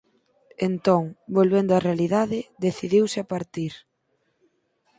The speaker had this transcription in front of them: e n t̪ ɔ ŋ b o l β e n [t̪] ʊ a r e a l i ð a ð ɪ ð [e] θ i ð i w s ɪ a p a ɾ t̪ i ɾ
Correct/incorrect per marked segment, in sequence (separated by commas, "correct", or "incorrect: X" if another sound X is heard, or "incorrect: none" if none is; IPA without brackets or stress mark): incorrect: d̪, correct